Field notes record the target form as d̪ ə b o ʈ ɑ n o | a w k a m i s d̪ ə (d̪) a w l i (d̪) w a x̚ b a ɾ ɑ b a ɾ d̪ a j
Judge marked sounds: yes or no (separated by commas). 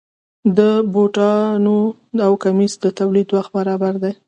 no, yes